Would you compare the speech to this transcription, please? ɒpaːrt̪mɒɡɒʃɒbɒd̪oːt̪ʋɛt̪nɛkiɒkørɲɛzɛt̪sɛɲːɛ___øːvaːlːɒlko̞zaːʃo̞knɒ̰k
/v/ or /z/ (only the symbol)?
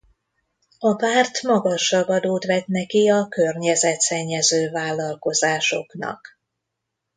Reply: z